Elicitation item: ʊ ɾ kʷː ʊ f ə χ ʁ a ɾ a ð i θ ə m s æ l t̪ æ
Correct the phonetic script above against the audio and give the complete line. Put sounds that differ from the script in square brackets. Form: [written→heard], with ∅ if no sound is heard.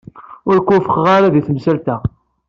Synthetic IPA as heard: ʊ ɾ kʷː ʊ f ə χ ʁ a ɾ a ð i θ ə m s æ l t̪ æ

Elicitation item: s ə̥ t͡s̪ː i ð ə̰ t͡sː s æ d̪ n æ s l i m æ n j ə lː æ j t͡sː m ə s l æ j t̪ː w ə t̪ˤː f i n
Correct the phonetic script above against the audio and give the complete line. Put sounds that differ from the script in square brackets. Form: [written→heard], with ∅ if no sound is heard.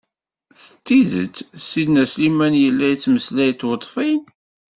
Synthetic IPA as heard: [s→θ] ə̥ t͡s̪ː i ð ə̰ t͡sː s [æ→i] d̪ n æ s l i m æ n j ə lː æ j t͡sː m ə s l æ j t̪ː w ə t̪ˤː f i n

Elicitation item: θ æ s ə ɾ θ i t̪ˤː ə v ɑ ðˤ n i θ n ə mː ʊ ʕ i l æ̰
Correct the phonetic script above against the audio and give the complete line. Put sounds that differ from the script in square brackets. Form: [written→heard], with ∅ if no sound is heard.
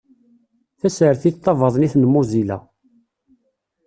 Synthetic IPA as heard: θ æ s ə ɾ θ i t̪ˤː [ə→ɑ] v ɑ ðˤ n i θ n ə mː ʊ [ʕ→z] i l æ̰

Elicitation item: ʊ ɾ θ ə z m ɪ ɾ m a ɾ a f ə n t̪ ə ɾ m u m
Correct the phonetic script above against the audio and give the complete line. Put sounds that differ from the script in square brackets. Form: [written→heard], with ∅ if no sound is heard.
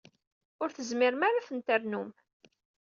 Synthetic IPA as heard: ʊ ɾ θ ə z m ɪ ɾ m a ɾ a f ə n t̪ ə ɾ [m→n] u m

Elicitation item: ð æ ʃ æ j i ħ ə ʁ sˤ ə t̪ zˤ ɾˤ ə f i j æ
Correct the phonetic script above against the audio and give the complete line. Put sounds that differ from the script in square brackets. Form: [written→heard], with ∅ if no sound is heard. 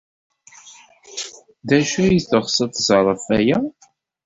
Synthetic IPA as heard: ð æ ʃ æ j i [ħ→θ] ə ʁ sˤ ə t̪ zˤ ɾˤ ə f [i→æ] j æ

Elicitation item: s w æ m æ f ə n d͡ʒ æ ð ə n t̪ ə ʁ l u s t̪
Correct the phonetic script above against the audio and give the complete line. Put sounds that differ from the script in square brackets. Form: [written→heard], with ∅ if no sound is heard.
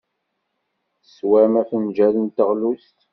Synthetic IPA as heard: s w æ m æ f ə n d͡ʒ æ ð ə n t̪ ə ʁ l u s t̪

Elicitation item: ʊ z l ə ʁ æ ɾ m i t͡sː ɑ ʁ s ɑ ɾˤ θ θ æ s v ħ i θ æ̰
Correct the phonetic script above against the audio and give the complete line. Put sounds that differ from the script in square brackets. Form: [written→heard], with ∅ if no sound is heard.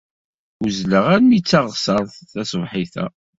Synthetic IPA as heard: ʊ z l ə ʁ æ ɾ m i t͡sː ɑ ʁ s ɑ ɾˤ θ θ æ s v ħ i θ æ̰

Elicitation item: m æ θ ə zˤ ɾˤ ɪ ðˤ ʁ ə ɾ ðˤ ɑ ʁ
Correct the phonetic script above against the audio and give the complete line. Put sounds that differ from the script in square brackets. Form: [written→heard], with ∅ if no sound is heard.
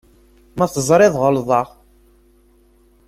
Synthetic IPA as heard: m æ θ ə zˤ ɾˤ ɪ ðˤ ʁ ə [ɾ→l] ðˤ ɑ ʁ

